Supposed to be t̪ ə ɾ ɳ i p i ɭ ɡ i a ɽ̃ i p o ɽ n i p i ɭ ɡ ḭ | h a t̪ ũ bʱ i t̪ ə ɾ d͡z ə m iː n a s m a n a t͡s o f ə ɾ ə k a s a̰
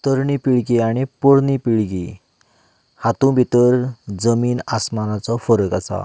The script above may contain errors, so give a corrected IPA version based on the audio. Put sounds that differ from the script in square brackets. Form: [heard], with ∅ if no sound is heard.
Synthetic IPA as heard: t̪ ə ɾ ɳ i p i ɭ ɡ i a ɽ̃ i p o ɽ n i p i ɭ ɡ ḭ | h a t̪ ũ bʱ i t̪ ə ɾ d͡z ə m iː n a s m a n a t͡s [ɔ] f ə ɾ ə k a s a̰